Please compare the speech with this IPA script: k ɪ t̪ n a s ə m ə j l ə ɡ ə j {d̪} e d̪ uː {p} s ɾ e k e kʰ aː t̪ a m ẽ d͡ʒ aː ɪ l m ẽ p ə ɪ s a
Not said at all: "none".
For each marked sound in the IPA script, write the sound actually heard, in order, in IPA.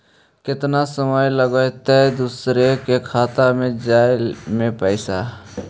t̪, none

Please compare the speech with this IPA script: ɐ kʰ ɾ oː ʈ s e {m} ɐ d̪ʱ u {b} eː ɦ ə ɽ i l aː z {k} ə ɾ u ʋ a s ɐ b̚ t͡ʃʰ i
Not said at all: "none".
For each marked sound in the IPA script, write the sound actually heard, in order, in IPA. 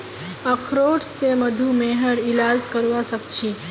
m, m, k

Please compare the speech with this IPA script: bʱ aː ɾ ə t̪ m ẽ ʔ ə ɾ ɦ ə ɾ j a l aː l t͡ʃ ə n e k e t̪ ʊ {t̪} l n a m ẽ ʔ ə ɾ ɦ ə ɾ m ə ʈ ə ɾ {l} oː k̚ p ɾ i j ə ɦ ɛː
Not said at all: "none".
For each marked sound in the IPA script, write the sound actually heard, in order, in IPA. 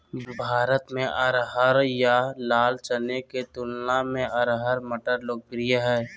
none, l

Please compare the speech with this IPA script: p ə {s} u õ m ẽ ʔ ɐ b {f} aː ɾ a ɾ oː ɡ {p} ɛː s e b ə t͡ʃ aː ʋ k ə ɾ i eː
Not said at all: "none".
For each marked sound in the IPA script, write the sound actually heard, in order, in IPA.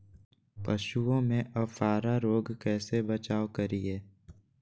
ʃ, f, k

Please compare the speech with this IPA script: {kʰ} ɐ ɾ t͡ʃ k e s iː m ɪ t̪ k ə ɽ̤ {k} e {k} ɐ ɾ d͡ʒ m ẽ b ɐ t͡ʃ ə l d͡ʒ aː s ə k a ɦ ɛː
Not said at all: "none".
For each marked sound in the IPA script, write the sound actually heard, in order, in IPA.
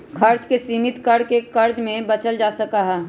kʰ, k, k

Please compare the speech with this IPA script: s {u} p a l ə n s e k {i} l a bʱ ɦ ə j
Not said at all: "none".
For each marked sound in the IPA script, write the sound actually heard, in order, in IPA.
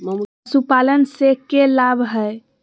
u, e

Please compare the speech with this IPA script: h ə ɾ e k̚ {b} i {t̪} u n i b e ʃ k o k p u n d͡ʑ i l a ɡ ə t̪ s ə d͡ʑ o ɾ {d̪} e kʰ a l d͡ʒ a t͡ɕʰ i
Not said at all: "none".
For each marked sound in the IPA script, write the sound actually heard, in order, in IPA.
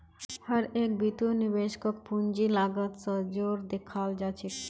b, t̪, d̪

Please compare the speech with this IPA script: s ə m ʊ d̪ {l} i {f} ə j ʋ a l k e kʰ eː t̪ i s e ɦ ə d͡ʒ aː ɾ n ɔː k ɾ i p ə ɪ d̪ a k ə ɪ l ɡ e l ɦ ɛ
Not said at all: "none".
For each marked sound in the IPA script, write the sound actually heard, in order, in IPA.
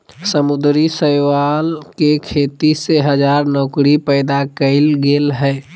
ɾ, s

